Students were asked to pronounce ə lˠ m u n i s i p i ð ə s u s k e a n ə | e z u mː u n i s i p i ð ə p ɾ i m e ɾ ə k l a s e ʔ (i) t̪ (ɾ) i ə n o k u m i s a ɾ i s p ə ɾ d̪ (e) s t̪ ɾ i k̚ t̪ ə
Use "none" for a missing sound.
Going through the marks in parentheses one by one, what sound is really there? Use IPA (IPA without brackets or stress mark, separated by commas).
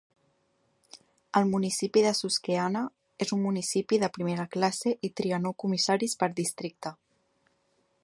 i, ɾ, i